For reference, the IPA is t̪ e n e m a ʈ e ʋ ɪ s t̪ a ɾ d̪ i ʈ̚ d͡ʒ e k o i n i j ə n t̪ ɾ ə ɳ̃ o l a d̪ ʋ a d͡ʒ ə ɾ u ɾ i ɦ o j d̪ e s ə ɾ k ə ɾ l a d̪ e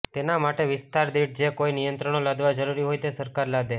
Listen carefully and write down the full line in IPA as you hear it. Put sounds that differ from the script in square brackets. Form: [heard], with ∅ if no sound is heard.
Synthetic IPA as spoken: t̪ e n [a] m a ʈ e ʋ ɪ s t̪ a ɾ d̪ i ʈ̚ d͡ʒ e k o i n i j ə n t̪ ɾ ə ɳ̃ o l a d̪ ʋ a d͡ʒ ə ɾ u ɾ i ɦ o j [t̪] e s ə ɾ k [a] ɾ l a d̪ e